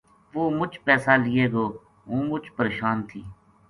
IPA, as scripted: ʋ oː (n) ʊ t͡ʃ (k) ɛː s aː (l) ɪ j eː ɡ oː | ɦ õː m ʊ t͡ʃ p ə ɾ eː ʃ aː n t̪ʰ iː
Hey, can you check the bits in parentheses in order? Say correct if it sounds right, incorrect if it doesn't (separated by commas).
incorrect, incorrect, correct